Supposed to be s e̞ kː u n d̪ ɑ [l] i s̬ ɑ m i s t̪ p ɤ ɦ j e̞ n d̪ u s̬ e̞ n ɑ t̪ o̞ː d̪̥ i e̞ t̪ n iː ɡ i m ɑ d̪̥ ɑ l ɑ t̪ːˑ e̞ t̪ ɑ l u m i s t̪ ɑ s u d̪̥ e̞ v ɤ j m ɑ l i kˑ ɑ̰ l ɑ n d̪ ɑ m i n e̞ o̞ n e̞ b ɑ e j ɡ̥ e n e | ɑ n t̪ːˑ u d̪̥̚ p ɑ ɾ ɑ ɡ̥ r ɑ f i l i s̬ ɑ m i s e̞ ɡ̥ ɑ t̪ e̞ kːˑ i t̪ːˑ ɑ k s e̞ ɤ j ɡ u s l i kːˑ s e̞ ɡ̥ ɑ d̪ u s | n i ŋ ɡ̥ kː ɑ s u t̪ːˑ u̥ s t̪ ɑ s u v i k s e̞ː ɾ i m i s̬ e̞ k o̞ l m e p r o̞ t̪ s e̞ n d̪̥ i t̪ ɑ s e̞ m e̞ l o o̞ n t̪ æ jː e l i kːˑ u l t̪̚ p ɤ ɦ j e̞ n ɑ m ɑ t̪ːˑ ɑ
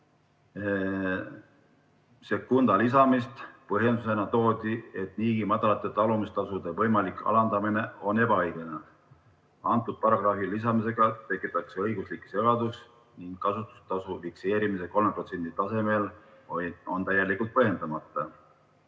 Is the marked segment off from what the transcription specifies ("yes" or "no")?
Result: no